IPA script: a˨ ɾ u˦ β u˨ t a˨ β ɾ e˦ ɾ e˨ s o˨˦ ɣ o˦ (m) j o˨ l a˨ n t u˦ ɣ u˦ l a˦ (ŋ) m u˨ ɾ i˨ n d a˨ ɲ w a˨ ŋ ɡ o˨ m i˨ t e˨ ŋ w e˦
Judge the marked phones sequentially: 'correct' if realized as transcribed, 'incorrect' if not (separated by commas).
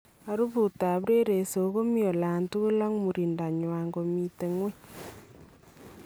correct, correct